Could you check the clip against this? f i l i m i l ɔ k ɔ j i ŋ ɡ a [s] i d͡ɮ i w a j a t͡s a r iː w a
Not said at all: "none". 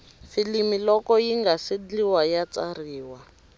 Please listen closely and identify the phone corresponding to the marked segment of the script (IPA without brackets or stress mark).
s